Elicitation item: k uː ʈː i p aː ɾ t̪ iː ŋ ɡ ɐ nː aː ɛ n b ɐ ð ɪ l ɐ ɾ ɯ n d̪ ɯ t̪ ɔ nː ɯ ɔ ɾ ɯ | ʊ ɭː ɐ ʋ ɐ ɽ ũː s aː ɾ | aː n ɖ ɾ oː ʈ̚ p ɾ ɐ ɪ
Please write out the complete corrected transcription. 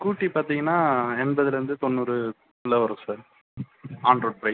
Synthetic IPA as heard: k uː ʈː i p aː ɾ t̪ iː ŋ ɡ ɐ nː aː ɛ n b ɐ ð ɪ l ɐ ɾ ɯ n d̪ ɯ t̪ ɔ nː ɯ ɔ ɾ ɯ | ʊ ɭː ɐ ʋ ɐ ɾ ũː s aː ɾ | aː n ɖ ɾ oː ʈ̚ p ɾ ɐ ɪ